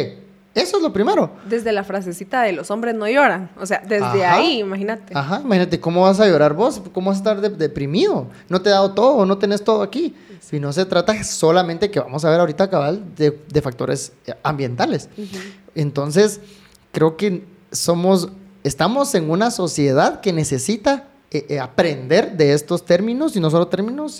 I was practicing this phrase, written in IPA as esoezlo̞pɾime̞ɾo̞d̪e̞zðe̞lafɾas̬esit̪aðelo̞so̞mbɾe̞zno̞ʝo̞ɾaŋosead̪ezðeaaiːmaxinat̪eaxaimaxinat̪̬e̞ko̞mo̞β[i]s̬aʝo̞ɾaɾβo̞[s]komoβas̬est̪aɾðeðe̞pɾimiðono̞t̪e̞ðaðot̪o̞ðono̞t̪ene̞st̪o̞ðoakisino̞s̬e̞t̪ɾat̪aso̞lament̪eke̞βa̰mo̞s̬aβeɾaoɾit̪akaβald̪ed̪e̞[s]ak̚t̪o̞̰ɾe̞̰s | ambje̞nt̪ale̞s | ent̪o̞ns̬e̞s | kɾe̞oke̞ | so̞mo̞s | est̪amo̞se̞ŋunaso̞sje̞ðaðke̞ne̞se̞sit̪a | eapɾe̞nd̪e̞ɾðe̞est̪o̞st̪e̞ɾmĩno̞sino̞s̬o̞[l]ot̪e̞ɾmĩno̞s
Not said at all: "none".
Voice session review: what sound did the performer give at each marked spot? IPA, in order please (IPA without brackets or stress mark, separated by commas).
a, s, f, l